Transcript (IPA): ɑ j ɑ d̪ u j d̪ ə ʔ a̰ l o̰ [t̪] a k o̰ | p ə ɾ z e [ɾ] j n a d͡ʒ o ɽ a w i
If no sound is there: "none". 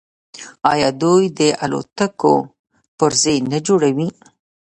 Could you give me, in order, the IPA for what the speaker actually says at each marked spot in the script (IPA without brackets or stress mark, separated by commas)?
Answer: t̪, none